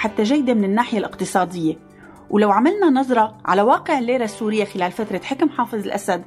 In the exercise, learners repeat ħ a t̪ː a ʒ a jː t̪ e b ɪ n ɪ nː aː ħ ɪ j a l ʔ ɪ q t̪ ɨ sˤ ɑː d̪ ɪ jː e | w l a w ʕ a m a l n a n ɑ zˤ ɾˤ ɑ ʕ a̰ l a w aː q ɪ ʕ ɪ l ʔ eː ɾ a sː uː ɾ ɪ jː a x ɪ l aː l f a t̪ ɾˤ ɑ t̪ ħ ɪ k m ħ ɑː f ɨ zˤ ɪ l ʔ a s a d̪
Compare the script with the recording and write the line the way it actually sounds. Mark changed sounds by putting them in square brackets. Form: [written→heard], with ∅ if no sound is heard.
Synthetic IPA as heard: ħ a t̪ː a ʒ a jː [t̪→d̪] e [b→m] ɪ n ɪ nː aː ħ ɪ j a l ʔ ɪ q t̪ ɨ sˤ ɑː d̪ ɪ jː e | w l a w ʕ a m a l n a n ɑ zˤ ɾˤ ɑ ʕ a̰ l a w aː q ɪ ʕ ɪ l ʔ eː ɾ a sː uː ɾ ɪ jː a x ɪ l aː l f a t̪ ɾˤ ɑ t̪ ħ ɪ k m ħ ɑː f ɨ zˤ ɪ l ʔ a s a d̪